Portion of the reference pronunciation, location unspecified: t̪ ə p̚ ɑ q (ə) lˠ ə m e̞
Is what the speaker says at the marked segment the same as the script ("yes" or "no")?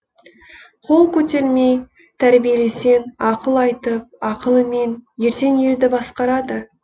yes